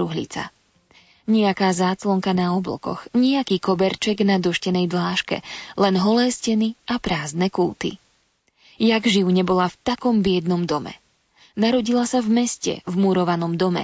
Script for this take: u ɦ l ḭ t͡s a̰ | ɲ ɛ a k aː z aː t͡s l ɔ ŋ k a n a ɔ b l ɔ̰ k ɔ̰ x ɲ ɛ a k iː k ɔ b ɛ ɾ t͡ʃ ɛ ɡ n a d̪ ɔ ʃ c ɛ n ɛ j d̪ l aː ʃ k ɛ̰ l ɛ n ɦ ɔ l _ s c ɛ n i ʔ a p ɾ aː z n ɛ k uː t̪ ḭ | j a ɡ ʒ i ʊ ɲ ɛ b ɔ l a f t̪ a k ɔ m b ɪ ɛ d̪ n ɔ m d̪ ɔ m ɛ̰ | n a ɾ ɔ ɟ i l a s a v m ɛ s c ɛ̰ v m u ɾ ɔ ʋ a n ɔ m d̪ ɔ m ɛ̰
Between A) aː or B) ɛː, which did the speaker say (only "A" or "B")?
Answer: B